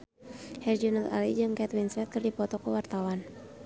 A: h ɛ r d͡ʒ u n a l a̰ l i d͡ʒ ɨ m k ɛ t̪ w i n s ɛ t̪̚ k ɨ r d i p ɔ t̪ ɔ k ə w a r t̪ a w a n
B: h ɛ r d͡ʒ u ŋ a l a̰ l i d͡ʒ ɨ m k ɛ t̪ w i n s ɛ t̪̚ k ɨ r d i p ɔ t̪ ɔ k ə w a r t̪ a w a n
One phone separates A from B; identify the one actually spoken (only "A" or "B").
A